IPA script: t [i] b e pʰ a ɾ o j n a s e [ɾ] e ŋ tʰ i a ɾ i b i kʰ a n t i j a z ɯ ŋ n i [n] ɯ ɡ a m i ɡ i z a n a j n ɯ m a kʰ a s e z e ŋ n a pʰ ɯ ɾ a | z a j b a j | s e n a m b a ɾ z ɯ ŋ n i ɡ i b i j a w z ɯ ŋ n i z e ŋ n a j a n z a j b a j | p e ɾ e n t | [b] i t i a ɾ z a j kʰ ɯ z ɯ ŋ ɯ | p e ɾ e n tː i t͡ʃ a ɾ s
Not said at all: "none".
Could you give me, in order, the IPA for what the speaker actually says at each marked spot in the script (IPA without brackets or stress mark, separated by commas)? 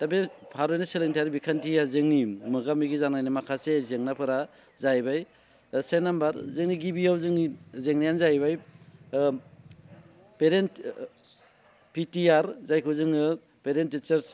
a, l, m, p